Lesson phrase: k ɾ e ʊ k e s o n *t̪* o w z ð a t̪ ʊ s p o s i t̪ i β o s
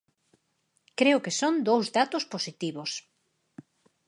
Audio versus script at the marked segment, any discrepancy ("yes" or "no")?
yes